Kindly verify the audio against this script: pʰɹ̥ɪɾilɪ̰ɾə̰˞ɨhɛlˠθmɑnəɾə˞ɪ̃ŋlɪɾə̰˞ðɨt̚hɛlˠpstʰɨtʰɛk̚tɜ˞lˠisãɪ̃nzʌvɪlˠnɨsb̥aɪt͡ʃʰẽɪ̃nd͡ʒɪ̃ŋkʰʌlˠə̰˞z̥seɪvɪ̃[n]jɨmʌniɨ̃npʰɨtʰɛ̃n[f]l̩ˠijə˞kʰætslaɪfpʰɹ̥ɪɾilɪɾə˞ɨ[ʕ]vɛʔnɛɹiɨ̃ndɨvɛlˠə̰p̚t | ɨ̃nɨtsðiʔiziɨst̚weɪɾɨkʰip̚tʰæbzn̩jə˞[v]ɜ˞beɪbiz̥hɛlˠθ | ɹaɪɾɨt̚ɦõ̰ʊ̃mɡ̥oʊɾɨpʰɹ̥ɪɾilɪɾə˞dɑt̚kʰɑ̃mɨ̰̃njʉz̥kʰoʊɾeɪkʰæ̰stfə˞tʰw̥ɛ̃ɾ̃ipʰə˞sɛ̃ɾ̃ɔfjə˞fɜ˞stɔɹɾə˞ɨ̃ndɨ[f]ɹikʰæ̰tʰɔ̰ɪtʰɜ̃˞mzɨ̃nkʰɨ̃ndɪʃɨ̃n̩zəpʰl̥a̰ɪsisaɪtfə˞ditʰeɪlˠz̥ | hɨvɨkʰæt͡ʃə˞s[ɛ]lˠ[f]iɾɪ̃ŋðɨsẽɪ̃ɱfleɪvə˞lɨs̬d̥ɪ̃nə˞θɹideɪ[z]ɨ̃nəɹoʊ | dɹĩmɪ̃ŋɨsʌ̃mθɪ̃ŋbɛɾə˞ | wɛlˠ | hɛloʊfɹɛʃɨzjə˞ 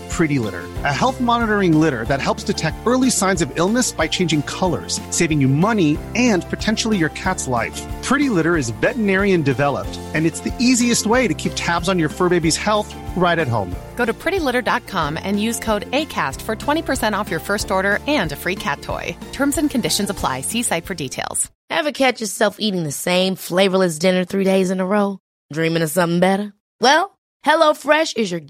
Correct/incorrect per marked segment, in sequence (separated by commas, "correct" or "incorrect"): incorrect, incorrect, incorrect, incorrect, correct, correct, correct, correct